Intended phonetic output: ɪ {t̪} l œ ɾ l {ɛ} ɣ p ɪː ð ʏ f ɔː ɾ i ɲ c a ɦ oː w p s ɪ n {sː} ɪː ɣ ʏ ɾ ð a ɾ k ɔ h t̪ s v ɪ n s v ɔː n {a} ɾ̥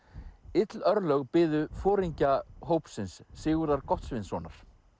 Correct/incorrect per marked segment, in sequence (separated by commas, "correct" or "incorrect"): correct, incorrect, correct, correct